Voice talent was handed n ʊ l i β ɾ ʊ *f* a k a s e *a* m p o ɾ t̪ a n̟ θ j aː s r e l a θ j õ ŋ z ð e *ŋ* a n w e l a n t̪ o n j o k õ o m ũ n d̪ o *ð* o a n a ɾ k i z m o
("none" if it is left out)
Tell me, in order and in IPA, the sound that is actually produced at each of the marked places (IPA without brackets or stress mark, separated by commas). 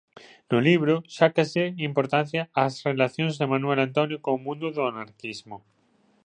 ʃ, i, m, ð